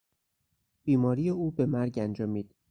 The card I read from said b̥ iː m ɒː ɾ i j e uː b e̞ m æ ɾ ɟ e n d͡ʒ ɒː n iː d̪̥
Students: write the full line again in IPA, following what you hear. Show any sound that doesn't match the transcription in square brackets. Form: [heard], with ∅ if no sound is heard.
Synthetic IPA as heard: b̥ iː m ɒː ɾ i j e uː b e̞ m æ ɾ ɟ [æ] n d͡ʒ ɒː [m] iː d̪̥

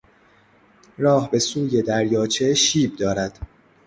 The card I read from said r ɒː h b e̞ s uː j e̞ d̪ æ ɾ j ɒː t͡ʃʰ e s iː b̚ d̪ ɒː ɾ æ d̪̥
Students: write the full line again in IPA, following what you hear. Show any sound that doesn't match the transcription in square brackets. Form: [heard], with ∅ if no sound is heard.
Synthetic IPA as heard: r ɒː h b e̞ s uː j e̞ d̪ æ ɾ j ɒː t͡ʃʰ e [ʃ] iː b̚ d̪ ɒː ɾ æ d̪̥

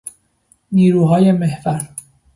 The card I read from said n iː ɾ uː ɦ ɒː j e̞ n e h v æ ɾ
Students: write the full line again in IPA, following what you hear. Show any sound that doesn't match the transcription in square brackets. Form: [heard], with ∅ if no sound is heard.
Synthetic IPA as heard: n iː ɾ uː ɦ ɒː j e̞ [m] e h v æ ɾ

